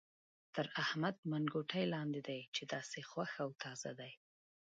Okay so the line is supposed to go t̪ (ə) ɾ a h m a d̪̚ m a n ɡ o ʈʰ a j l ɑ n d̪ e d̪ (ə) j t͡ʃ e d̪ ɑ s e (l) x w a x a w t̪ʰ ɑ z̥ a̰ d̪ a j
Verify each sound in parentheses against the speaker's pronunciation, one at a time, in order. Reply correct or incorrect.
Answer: correct, incorrect: a, incorrect: none

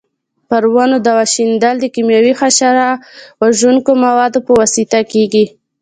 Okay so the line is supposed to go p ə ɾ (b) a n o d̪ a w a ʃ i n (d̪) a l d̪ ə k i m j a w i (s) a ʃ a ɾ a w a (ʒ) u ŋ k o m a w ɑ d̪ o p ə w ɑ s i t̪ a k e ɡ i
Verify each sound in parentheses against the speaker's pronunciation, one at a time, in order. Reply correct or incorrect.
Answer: incorrect: w, correct, incorrect: x, correct

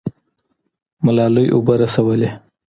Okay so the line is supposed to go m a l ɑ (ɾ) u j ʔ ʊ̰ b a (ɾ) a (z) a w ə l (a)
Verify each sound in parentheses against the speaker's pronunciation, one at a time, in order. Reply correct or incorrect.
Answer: incorrect: l, correct, incorrect: s, incorrect: e

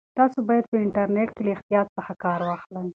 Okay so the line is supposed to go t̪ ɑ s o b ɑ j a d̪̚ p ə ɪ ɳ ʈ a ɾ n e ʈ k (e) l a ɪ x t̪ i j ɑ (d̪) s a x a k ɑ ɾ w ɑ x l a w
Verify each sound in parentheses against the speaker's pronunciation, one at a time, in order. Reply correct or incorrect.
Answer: correct, incorrect: t̪

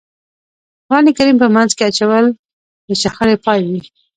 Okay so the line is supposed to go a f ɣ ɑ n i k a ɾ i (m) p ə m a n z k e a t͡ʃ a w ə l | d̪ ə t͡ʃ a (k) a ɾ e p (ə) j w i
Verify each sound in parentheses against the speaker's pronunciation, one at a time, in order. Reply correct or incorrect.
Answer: correct, incorrect: x, incorrect: ɑ

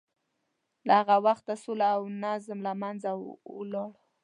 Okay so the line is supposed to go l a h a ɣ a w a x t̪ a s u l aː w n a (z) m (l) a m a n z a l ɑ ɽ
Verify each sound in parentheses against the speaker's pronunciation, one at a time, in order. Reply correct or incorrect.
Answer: correct, correct

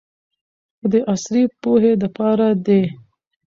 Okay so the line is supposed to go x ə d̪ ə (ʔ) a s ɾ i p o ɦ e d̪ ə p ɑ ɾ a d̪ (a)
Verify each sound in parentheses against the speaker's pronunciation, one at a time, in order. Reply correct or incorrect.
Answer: correct, incorrect: e

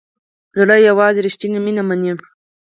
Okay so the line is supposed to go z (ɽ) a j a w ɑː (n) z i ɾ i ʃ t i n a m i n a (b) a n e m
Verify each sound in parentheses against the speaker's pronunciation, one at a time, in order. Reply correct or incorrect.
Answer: correct, incorrect: none, incorrect: m

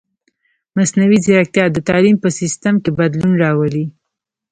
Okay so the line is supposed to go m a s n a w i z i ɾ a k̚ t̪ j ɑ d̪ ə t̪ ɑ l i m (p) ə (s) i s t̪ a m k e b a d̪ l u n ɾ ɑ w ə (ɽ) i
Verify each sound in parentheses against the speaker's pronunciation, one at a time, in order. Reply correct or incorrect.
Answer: correct, correct, incorrect: l

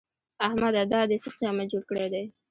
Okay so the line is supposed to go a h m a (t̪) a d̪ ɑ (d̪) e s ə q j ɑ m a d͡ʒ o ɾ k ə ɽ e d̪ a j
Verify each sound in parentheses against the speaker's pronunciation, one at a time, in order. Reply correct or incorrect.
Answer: incorrect: d̪, correct

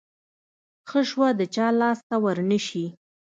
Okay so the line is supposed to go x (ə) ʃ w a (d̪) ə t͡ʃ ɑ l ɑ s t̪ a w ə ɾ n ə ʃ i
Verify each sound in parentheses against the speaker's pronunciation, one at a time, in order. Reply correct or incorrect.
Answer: correct, correct

